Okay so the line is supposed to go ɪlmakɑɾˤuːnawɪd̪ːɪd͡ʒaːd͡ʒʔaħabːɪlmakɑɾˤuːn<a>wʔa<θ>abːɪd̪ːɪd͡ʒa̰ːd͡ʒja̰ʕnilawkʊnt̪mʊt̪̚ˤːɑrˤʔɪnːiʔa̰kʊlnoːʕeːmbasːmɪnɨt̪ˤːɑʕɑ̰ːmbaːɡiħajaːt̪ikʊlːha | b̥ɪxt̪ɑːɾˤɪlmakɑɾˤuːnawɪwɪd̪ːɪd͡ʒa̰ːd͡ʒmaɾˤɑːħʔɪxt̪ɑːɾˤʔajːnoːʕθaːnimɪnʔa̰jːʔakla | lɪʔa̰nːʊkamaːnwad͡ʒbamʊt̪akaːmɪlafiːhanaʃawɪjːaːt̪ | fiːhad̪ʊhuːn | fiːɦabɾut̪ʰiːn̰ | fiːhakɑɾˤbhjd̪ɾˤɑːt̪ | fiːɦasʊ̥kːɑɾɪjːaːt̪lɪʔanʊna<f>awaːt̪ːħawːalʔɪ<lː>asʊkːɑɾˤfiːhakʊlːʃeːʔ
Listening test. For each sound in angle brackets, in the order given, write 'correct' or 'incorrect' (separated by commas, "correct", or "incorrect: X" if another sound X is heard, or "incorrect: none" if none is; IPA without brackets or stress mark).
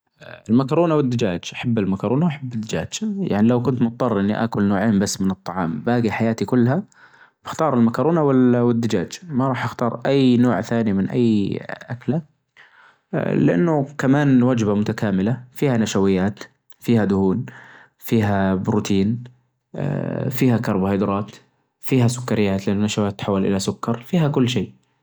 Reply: correct, incorrect: ħ, incorrect: ʃ, incorrect: l